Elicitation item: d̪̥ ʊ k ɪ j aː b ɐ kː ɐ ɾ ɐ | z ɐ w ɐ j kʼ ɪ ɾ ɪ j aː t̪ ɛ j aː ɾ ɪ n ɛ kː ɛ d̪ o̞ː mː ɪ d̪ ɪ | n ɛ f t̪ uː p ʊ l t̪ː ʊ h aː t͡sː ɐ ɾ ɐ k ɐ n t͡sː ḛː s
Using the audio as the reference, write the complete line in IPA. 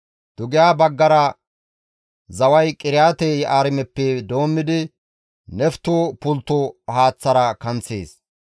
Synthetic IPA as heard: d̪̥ ʊ ɡ ɪ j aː b ɐ ɡː ɐ ɾ ɐ | z ɐ w ɐ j kʼ ɪ ɾ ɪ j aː t̪ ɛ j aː ɾ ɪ m ɛ pː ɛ d̪ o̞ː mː ɪ d̪ ɪ | n ɛ f t̪ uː p ʊ l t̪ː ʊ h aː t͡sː ɐ ɾ ɐ k ɐ n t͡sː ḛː s